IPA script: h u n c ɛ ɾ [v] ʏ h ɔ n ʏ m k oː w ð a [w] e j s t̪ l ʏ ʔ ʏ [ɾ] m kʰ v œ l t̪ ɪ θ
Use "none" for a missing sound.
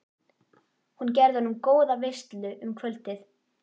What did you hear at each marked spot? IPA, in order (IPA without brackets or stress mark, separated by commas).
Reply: ð, v, none